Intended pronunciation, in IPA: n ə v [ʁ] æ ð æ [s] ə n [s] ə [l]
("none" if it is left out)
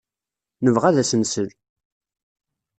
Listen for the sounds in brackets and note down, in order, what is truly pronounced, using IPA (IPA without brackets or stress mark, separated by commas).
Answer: ʁ, s, s, l